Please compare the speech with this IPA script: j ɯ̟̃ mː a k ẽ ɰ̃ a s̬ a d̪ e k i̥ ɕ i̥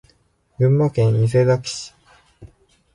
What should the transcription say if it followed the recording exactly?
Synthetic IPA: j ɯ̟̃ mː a k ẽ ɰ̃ i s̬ e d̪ a k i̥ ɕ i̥